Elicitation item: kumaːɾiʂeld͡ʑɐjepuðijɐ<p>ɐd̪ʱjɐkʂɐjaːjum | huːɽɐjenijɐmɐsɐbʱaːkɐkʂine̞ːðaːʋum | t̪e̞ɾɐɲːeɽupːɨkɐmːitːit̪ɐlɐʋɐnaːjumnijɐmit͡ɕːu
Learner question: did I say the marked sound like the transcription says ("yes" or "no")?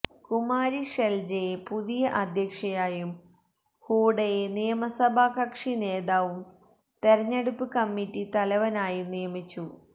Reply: no